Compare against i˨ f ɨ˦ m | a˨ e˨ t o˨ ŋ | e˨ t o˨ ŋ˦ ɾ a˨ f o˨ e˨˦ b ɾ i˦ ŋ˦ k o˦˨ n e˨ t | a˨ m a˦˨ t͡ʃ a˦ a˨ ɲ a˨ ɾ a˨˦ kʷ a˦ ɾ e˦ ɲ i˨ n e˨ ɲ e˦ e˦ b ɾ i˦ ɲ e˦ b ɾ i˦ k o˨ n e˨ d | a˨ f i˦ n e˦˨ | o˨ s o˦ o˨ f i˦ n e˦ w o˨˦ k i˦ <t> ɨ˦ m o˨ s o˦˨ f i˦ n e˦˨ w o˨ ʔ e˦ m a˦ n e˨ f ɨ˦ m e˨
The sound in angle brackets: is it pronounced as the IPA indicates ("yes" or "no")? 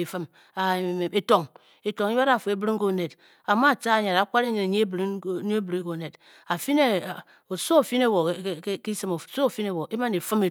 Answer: no